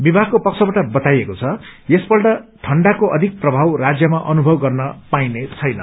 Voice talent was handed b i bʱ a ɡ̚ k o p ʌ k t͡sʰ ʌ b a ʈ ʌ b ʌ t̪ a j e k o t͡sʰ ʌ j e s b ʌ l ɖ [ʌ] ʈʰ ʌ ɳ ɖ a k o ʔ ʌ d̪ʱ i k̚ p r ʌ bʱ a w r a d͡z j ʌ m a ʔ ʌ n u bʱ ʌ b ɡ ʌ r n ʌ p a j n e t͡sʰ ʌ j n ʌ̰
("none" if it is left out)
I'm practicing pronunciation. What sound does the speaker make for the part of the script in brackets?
ʌ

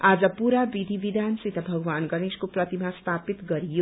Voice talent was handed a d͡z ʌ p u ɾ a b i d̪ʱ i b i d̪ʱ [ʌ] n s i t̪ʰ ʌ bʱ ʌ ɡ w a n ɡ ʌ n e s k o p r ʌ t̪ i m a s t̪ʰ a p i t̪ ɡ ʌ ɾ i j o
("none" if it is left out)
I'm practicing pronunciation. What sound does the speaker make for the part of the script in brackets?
a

